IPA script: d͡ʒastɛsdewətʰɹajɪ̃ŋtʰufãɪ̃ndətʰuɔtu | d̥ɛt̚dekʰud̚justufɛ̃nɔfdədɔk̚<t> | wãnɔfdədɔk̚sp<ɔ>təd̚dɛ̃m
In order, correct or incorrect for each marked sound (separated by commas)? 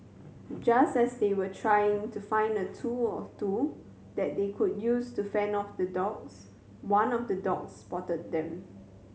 incorrect, correct